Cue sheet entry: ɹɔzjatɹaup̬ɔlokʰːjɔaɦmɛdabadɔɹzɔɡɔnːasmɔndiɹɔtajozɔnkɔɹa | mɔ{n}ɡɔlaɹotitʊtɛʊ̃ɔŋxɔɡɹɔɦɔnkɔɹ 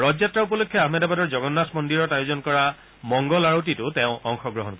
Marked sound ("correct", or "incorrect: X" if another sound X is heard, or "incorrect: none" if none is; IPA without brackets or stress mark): incorrect: ŋ